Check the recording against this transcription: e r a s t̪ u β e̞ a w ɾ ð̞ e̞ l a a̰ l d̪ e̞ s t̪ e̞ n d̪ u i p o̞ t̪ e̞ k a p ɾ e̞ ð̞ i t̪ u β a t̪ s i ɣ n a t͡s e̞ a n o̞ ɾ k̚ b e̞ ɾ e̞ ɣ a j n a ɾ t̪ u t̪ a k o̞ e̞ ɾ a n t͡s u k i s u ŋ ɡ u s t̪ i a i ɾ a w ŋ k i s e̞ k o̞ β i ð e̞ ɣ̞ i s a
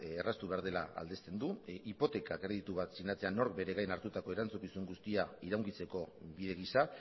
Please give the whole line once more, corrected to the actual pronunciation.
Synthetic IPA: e r a s t̪ u β e̞ a ɾ ð̞ e̞ l a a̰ l d̪ e̞ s t̪ e̞ n d̪ u i p o̞ t̪ e̞ k a k ɾ e̞ ð̞ i t̪ u β a t̪ s i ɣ n a t͡s e̞ a n o̞ ɾ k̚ b e̞ ɾ e̞ ɣ a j n a ɾ t̪ u t̪ a k o̞ e̞ ɾ a n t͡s u k i s u ŋ ɡ u s t̪ i a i ɾ a w ŋ k i t͡s e̞ k o̞ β i ð e̞ ɣ̞ i s a